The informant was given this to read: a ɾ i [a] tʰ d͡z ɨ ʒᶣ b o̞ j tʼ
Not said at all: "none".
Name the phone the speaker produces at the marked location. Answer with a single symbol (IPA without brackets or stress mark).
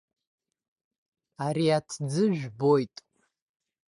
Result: a